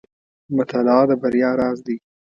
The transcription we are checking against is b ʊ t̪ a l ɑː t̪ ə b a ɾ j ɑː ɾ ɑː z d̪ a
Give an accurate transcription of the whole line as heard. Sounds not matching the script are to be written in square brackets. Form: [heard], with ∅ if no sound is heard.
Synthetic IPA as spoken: [m] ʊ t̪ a l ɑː [d̪] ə b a ɾ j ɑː ɾ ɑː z d̪ [i]

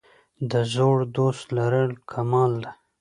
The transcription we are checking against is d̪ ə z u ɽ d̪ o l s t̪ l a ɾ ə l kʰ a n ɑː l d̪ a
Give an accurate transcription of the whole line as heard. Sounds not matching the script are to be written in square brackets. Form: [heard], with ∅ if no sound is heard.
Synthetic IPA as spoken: d̪ ə z [o] ɽ d̪ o [∅] s t̪ l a ɾ ə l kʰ a [m] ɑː l d̪ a

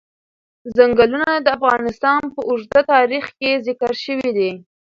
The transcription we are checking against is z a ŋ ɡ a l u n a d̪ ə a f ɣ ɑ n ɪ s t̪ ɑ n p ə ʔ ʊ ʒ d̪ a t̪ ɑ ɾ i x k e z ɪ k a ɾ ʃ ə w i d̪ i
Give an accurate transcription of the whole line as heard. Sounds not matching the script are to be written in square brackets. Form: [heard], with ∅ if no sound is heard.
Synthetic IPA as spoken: z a ŋ ɡ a l u n a d̪ ə a f ɣ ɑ n ɪ s t̪ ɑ n p ə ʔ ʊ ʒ d̪ a t̪ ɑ ɾ i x k e z ɪ k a ɾ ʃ ə w i d̪ i

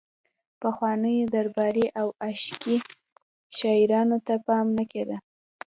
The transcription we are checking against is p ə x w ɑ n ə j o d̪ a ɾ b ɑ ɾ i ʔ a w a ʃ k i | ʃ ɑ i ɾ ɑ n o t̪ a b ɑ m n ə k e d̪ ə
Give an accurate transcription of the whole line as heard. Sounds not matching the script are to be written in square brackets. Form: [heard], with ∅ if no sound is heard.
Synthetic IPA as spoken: p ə x w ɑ n ə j o d̪ a ɾ b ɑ ɾ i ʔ a w a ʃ k i | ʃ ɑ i ɾ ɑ n o t̪ a [p] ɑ m n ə k e d̪ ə

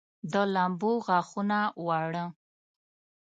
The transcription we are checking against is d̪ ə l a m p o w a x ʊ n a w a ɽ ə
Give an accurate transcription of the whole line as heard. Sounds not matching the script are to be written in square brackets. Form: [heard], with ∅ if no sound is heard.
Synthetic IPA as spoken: d̪ ə l a m [b] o [ɣ] a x [u] n a w a ɽ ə

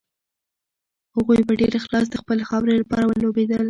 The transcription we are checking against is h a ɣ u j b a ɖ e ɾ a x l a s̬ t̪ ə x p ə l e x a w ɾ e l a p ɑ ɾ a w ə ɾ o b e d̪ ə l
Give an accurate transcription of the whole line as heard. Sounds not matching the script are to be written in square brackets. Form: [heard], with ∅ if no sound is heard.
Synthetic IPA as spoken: h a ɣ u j b a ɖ e ɾ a x l [ɑ] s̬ [d̪] ə x p ə l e x [ɑ] w ɾ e l a p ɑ ɾ a w ə [l] o b e d̪ ə l

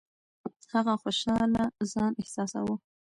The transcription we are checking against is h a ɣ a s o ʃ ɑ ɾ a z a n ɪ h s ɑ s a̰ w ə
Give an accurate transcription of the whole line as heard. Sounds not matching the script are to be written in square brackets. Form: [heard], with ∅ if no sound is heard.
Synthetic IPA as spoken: h a ɣ a [x] o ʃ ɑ [l] a z [ɑ] n ɪ h s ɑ s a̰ w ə

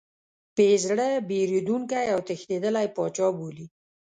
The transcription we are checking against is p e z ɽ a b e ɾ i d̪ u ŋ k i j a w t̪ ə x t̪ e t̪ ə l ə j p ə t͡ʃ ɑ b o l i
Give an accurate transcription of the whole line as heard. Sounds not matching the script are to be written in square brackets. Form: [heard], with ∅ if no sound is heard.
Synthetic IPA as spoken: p e z ɽ [ə] b e ɾ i d̪ u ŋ k [a] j a w t̪ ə x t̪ e [d̪] ə l [a] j p [ɑ] t͡ʃ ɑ b o l i

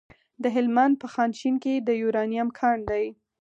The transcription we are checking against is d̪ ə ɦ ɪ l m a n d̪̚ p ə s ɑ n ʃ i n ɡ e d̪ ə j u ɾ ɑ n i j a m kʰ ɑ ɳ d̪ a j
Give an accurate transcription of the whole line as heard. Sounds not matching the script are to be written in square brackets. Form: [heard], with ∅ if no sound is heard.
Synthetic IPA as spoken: d̪ ə ɦ ɪ l m a n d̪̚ p ə [x] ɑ n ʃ i n [k] e d̪ ə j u ɾ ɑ n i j a m kʰ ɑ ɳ d̪ a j

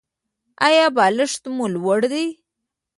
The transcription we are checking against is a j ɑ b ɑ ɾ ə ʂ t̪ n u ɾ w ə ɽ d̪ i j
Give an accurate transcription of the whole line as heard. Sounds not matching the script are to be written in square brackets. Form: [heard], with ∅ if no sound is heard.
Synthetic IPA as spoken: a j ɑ b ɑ [l] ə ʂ t̪ [m] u [l] w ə ɽ d̪ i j

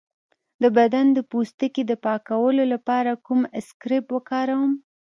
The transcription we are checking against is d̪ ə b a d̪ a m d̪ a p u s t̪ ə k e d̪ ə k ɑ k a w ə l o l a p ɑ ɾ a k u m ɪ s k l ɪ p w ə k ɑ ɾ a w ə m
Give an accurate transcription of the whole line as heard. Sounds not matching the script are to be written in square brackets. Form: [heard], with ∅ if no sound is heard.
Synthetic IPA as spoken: d̪ ə b a d̪ a [n] d̪ [ə] p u s t̪ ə k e d̪ ə [p] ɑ k a w ə l o l a p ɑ ɾ a k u m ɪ s k [ɾ] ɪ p w ə k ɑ ɾ a w ə m

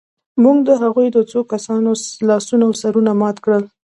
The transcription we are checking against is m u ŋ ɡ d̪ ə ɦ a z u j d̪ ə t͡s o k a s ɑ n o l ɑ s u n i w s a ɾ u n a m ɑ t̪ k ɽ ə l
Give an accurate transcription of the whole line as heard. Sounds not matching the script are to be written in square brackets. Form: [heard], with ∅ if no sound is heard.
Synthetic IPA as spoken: m u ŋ ɡ d̪ ə ɦ a [ɣ] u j d̪ ə t͡s o k a s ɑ n o l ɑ s u n [a] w s a ɾ u n a m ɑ t̪ k ɽ ə l

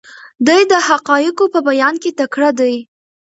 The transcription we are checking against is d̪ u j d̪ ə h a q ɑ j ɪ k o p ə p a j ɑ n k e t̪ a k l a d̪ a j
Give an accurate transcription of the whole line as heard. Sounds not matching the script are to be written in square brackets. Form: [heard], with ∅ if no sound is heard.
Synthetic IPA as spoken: d̪ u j d̪ ə h a q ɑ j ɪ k o p ə [b] a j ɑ n k e t̪ a k [ɽ] a d̪ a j

